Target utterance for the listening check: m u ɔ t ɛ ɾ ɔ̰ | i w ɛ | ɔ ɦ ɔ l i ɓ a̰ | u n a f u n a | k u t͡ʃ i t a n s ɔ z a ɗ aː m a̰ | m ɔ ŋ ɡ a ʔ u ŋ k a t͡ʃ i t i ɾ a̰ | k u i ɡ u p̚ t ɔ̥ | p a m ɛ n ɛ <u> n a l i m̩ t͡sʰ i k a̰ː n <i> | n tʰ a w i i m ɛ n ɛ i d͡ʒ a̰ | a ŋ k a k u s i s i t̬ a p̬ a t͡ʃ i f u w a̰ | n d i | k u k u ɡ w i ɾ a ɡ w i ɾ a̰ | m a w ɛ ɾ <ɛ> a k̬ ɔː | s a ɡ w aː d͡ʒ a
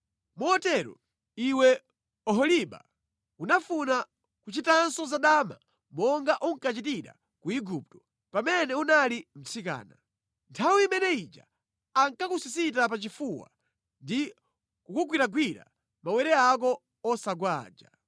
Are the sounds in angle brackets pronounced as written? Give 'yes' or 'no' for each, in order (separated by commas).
yes, no, yes